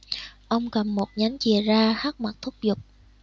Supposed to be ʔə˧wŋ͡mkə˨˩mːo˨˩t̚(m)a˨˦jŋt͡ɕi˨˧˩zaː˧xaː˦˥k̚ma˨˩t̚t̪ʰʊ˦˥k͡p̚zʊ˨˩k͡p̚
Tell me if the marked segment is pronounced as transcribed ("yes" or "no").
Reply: no